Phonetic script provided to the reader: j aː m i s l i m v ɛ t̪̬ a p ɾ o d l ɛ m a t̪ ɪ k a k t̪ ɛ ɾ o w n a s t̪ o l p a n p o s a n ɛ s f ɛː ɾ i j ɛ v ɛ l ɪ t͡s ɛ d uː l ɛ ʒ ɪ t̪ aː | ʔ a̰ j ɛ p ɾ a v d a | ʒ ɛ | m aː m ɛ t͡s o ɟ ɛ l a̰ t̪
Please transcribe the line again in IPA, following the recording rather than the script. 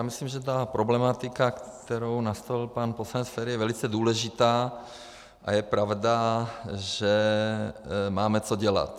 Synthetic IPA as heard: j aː m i s l i m ʒ ɛ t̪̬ a p ɾ o b l ɛ m a t̪ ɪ k a k t̪ ɛ ɾ o w n a s t̪ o l p a n p o s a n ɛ s f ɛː ɾ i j ɛ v ɛ l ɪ t͡s ɛ d uː l ɛ ʒ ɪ t̪ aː | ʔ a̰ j ɛ p ɾ a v d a | ʒ ɛ | m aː m ɛ t͡s o ɟ ɛ l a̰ t̪